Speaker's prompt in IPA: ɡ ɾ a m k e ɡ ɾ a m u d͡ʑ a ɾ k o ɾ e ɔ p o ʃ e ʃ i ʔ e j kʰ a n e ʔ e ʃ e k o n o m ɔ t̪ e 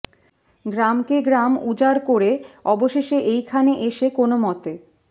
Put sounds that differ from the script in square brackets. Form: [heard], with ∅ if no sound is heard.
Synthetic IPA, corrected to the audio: ɡ ɾ a m k e ɡ ɾ a m u d͡ʑ a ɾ k o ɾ e ɔ [b] o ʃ e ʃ [e] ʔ e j kʰ a n e ʔ e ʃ e k o n o m ɔ t̪ e